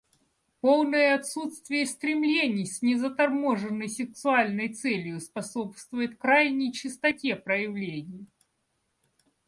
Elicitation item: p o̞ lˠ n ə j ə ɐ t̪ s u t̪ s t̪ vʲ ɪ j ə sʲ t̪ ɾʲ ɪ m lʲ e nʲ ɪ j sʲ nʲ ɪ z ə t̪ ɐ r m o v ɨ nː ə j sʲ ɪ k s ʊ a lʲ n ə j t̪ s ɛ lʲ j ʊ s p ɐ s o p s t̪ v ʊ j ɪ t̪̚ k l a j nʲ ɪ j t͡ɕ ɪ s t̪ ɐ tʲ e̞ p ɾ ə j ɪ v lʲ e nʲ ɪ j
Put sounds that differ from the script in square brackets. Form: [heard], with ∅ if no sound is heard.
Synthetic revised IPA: p o̞ lˠ n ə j ə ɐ t̪ s u t̪ s t̪ vʲ ɪ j ə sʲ t̪ ɾʲ ɪ m lʲ e nʲ ɪ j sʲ nʲ ɪ z ə t̪ ɐ r m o [ʐ] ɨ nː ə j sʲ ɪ k s ʊ a lʲ n ə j t̪ s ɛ lʲ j ʊ s p ɐ s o p s t̪ v ʊ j ɪ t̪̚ k [ɾ] a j nʲ ɪ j t͡ɕ ɪ s t̪ ɐ tʲ e̞ p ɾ ə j ɪ v lʲ e nʲ ɪ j